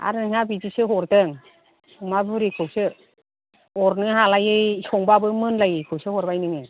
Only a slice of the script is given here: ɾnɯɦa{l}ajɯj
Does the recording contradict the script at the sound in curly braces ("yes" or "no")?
no